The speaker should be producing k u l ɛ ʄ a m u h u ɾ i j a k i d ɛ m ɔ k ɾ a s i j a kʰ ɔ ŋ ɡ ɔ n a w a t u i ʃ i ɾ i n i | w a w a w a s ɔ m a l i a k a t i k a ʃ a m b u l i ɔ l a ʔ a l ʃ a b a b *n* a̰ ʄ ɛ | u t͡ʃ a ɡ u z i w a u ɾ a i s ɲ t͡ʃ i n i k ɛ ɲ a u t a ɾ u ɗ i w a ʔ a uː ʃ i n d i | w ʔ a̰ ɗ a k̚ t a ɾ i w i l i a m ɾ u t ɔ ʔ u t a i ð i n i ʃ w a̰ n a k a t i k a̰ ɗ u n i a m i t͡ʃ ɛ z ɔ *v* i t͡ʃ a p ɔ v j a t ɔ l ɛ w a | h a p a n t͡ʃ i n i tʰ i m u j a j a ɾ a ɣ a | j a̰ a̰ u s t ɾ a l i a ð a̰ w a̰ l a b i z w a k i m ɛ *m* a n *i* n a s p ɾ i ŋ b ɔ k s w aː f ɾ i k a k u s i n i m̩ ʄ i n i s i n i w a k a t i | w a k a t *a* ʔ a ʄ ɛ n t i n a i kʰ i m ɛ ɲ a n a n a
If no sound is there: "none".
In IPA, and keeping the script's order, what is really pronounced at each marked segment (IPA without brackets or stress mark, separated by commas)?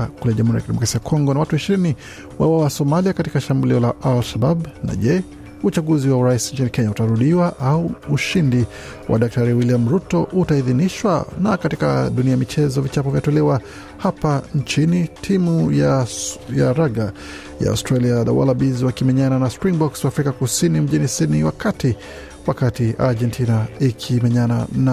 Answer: n, v, ɲ, a, i